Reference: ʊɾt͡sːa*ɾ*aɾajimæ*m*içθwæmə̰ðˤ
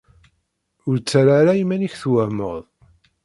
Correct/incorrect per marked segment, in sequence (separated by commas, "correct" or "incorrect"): correct, incorrect